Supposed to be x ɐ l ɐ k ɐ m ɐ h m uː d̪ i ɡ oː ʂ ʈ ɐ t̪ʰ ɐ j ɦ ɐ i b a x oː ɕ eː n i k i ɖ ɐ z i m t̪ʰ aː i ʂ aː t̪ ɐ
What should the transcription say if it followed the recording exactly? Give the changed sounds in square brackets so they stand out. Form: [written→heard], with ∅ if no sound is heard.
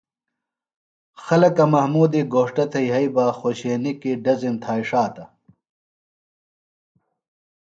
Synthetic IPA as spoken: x ɐ l ɐ k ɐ m ɐ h m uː d̪ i ɡ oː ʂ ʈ ɐ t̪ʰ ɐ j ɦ ɐ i b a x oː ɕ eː n i k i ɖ ɐ z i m t̪ʰ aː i ʂ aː t̪ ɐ